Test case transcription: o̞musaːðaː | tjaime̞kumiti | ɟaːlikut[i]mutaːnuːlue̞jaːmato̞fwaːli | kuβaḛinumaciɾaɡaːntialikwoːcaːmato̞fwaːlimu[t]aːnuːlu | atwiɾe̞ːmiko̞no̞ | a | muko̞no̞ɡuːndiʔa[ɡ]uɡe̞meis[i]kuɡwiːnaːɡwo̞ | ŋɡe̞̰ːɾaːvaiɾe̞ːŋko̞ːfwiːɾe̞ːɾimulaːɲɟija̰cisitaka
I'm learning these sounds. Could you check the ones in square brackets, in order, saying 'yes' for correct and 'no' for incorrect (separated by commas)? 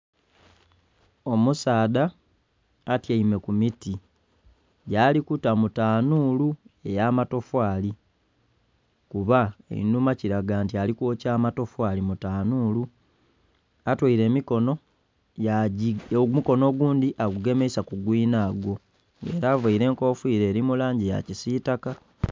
no, yes, yes, no